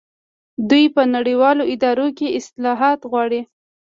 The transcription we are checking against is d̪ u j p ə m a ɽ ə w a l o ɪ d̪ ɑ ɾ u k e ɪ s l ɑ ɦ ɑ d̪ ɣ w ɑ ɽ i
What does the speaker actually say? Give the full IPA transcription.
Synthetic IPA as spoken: d̪ u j p ə n a ɽ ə w ɑ l o ɪ d̪ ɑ ɾ o k e ɪ s l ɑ ɦ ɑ t̪ ɣ w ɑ ɽ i